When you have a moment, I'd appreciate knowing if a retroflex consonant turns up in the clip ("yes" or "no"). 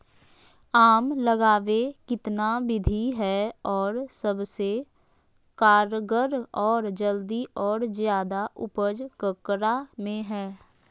no